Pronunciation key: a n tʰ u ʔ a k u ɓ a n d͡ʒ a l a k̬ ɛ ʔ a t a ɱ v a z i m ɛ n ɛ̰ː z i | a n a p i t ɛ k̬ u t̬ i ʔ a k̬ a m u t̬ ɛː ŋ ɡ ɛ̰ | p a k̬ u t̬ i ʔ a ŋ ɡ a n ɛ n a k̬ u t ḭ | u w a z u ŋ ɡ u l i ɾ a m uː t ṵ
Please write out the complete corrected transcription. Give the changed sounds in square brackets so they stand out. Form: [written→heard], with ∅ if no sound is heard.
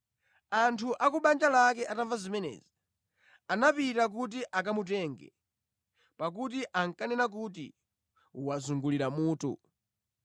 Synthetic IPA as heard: a n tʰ u ʔ a k u ɓ a n d͡ʒ a l a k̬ ɛ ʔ a t a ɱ v a z i m ɛ n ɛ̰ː z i | a n a p i t [ɛ→a] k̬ u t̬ i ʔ a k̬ a m u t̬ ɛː ŋ ɡ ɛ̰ | p a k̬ u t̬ i ʔ a ŋ [ɡ→k] a n ɛ n a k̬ u t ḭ | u w a z u ŋ ɡ u l i ɾ a m uː t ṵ